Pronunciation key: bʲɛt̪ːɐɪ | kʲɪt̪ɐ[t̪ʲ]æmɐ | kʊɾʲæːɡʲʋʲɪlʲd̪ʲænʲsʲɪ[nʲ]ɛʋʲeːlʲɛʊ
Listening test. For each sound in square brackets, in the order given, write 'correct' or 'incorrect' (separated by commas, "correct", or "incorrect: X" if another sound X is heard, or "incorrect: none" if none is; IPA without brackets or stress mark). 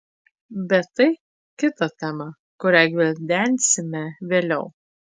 correct, incorrect: mʲ